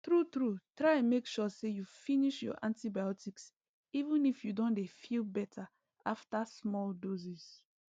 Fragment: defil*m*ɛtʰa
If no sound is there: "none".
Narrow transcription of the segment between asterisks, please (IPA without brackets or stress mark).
b